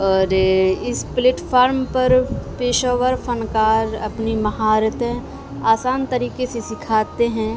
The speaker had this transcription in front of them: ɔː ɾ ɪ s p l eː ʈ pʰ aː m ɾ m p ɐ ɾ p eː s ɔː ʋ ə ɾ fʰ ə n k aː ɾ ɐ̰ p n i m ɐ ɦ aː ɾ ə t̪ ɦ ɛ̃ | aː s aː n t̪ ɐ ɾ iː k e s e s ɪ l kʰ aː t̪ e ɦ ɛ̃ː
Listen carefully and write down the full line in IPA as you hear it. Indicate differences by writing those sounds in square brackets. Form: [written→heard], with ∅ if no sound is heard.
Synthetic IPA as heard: ɔː ɾ ɪ s p l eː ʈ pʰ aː [m→∅] ɾ m p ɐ ɾ p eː [s→ʃ] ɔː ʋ ə ɾ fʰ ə n k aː ɾ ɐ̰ p n i m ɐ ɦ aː ɾ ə t̪ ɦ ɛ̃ | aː s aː n t̪ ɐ ɾ iː k e s e s ɪ [l→∅] kʰ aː t̪ e ɦ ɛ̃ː